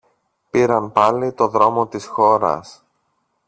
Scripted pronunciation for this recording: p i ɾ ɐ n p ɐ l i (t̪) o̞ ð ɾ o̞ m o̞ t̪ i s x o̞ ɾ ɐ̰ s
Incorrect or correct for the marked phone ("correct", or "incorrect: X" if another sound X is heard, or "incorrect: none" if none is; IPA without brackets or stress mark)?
correct